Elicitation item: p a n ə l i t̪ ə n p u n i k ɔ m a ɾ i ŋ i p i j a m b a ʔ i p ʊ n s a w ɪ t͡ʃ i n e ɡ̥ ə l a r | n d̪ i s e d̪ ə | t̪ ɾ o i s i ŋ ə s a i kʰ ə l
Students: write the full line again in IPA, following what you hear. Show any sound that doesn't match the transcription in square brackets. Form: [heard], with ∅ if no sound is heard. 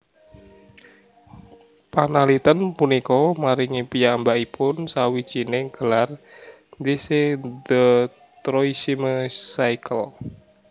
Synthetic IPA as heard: p a n [a] l i t̪ ə n p u n i k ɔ m a ɾ i ŋ i p i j a m b a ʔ i p ʊ n s a w [i] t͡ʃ i n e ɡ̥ ə l a r | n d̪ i s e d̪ ə | t̪ ɾ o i s i [m] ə s a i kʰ ə l